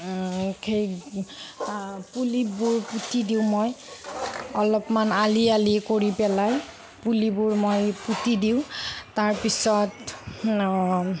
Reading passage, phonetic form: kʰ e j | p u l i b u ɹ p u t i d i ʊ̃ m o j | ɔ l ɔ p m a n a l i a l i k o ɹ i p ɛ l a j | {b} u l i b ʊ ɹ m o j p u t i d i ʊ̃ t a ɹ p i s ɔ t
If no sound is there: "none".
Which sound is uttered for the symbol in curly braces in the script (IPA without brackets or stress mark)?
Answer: p